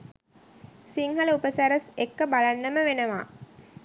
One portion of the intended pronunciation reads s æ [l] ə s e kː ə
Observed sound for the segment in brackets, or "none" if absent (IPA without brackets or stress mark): ɾ